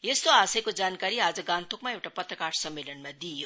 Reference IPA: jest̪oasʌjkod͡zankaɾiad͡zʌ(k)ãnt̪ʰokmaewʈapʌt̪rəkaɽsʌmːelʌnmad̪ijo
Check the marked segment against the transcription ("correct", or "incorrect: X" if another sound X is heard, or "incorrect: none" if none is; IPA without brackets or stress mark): incorrect: ɡ